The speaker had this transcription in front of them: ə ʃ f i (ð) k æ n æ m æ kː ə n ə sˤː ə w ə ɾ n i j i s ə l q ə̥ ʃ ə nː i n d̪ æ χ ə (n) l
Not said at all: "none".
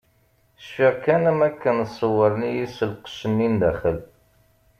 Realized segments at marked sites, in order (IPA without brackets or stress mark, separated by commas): ʁ, none